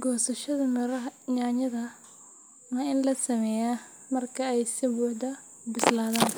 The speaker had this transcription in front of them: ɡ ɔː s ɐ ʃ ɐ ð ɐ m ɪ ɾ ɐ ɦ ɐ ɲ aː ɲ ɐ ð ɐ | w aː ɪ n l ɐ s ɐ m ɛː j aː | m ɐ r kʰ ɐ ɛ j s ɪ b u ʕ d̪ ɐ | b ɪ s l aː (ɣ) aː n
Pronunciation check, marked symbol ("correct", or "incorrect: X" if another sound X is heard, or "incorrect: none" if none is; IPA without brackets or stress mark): incorrect: ð